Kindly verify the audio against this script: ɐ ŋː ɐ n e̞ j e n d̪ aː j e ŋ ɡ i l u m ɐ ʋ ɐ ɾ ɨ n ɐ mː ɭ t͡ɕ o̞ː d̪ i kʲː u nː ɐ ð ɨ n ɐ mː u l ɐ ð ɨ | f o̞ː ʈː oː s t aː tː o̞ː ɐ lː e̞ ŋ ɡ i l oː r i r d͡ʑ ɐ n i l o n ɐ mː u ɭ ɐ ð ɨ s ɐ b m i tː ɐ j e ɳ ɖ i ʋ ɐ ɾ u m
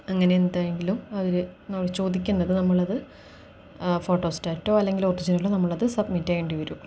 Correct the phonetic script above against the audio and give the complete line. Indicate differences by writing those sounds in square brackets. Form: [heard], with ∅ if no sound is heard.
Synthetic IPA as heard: ɐ ŋː ɐ n e̞ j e n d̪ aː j e ŋ ɡ i l u m ɐ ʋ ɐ ɾ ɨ n ɐ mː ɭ t͡ɕ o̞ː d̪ i kʲː u nː ɐ ð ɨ n ɐ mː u [ɭ] ɐ ð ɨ | f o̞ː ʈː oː s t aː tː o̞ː ɐ lː e̞ ŋ ɡ i l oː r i [∅] d͡ʑ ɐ n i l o n ɐ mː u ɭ ɐ ð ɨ s ɐ b m i tː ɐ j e ɳ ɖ i ʋ ɐ ɾ u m